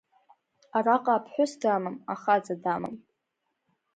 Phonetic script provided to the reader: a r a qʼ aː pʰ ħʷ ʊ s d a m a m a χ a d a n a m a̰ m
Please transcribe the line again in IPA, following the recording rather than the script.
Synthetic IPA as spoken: a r a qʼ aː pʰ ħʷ ʊ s d a m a m a χ a d͡z a d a m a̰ m

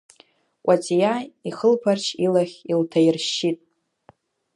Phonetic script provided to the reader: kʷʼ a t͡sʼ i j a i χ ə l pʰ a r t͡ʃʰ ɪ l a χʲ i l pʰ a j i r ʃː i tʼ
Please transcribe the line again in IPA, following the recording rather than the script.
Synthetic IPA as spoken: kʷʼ a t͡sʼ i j a i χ ə l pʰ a r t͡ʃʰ i l a χʲ i l tʰ a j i r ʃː i tʼ

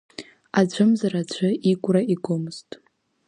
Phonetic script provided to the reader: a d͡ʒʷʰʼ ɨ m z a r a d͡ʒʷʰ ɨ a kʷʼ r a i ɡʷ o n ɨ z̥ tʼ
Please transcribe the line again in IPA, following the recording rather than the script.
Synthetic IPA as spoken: a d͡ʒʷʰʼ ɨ m z a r a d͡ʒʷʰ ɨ i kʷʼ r a i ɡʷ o m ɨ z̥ tʼ

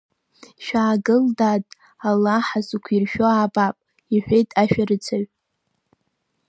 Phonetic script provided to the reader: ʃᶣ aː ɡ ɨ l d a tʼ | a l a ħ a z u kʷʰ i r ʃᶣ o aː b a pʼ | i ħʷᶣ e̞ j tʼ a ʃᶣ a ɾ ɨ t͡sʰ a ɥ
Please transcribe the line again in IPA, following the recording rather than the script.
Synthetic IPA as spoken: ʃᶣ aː ɡ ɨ l d a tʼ | a l a ħ a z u kʷʰ i r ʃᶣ o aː b a pʼ | i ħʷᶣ e̞ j tʼ a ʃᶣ a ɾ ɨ t͡sʰ a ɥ

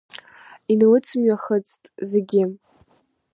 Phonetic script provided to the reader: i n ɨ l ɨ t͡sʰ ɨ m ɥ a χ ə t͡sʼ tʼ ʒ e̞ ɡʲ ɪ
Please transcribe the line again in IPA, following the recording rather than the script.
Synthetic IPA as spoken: i n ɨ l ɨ t͡sʰ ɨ m ɥ a χ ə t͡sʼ tʼ z e̞ ɡʲ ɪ

